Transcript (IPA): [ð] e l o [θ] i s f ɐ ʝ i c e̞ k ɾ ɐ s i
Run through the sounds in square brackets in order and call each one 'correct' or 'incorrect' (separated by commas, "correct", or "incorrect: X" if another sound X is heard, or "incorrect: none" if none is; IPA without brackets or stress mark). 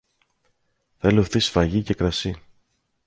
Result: incorrect: θ, correct